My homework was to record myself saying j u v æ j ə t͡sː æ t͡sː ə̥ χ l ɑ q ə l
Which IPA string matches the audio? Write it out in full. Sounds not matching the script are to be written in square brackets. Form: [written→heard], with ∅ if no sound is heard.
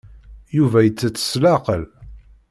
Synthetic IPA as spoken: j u v æ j ə t͡sː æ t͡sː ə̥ [χ→s] l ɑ q ə l